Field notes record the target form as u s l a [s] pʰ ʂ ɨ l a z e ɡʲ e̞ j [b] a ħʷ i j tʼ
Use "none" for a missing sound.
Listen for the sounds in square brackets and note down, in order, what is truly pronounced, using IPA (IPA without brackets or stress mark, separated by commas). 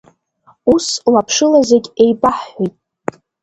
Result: none, b